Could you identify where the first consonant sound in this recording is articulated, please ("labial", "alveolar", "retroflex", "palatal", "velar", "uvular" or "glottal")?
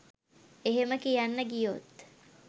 glottal